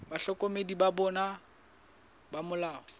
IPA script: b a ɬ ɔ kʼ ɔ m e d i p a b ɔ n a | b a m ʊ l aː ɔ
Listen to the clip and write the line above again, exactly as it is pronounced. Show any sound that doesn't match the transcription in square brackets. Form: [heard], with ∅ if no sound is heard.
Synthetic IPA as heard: b a ɬ ɔ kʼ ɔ m e d i [b] a b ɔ n a | b a m ʊ l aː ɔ